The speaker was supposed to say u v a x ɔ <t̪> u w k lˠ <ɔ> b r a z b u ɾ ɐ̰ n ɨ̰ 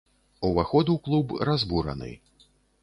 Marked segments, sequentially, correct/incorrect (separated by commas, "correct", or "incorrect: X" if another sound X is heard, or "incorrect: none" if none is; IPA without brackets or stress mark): incorrect: d̪, incorrect: u